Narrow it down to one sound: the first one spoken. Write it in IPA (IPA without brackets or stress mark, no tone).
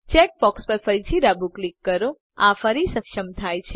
t͡ʃ